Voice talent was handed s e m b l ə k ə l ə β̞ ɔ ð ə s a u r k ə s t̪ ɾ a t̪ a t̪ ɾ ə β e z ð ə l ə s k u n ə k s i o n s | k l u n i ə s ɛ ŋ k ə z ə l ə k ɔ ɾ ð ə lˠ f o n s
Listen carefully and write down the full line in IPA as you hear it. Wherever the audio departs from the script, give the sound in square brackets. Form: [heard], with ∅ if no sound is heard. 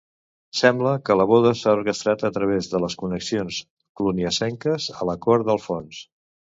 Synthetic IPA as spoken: s [ɛ] m b l ə k ə l ə β̞ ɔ ð ə s a u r k ə s t̪ ɾ a t̪ [ə] t̪ ɾ ə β e z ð ə l ə s k u n ə k s i o n s | k l u n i ə s ɛ ŋ k ə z ə l ə k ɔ ɾ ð ə lˠ f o n s